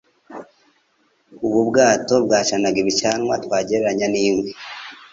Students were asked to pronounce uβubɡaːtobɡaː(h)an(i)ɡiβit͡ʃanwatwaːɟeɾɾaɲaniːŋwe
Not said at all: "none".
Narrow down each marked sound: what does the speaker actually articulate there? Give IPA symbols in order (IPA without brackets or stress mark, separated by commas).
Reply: ʃ, a